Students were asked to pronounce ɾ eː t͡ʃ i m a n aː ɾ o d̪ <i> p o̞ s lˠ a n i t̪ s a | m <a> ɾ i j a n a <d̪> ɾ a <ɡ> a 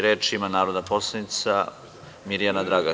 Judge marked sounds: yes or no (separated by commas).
no, no, yes, yes